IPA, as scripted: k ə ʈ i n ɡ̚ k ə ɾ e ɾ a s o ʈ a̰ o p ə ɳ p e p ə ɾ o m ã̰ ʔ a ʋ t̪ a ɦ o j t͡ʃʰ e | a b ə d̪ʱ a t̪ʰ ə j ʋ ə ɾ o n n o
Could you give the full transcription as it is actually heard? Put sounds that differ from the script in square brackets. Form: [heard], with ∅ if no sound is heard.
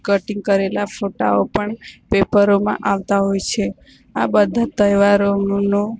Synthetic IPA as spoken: k ə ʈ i [ŋ] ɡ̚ k ə ɾ e [l] a [f] o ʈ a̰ o p ə ɳ p e p ə ɾ o m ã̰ ʔ a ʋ t̪ a ɦ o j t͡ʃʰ e | a b ə d̪ʱ a [t̪] ə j ʋ [a] ɾ o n n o